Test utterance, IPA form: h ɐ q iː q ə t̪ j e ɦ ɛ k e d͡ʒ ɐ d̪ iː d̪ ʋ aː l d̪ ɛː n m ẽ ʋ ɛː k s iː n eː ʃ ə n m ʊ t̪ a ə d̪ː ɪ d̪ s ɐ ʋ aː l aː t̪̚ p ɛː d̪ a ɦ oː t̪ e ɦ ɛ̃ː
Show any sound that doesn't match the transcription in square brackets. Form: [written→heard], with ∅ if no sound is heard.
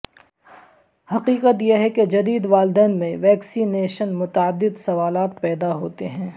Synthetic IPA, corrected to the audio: h ɐ q iː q ə t̪ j e ɦ ɛ k e d͡ʒ ɐ d̪ iː d̪ ʋ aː l d̪ ɛː n m ẽ ʋ ɛː k s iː n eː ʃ ə n m ʊ t̪ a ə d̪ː ɪ d̪ s ɐ ʋ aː l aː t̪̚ p ɛː d̪ a ɦ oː t̪ e ɦ ɛ̃ː